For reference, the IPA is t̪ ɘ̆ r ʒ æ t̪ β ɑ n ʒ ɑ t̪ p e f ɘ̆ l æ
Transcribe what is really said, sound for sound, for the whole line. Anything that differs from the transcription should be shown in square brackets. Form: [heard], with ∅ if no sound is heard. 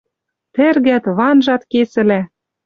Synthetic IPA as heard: t̪ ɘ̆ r [ɣ] æ t̪ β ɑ n ʒ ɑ t̪ [k] e [s] ɘ̆ l æ